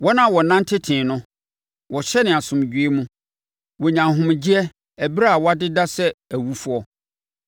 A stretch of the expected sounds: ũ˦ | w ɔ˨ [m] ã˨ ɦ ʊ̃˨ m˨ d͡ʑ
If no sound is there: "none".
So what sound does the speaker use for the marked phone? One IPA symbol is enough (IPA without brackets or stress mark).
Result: ɲ